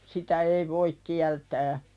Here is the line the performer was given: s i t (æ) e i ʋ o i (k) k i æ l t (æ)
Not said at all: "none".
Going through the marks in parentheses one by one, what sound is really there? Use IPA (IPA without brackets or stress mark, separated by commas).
æ, k, æː